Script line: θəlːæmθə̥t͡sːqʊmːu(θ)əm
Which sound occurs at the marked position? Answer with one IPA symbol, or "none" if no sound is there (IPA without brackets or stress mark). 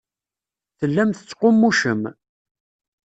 ʃ